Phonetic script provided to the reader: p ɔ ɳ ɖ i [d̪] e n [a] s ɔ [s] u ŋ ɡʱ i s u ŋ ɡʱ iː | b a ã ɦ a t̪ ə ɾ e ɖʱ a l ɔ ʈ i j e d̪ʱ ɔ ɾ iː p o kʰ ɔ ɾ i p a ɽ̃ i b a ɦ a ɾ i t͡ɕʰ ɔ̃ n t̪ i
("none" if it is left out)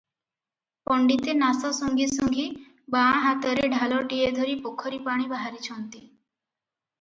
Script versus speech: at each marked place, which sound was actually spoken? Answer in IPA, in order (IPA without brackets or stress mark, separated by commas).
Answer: t̪, a, s